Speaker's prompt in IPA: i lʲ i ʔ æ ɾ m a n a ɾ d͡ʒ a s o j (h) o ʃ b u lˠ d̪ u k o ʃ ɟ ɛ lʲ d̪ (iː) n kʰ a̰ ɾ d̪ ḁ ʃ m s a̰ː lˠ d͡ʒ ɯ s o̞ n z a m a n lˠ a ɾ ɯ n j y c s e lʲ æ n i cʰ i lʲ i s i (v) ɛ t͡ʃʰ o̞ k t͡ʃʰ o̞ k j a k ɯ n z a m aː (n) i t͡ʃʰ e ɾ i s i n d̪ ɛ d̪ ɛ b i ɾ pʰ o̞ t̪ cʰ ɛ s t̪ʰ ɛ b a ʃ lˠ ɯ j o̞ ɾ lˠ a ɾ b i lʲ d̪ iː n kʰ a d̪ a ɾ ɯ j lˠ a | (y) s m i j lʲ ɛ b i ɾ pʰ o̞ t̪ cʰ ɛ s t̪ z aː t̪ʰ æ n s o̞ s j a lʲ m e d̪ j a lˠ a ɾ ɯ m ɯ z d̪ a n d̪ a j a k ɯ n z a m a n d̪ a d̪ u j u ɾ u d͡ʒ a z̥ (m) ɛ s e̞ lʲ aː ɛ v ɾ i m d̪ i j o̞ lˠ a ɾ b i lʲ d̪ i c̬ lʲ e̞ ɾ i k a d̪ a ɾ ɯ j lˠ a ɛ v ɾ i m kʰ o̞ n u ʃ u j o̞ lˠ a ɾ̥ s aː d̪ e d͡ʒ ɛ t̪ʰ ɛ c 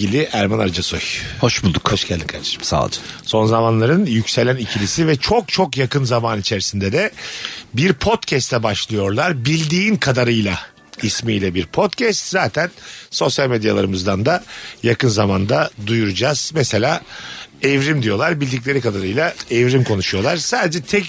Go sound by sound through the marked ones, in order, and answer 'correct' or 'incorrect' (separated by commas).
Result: correct, incorrect, correct, correct, incorrect, correct